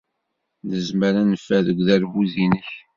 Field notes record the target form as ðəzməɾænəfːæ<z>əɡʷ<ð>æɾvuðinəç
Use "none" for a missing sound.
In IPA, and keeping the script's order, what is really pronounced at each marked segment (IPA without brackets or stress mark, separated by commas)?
ð, ð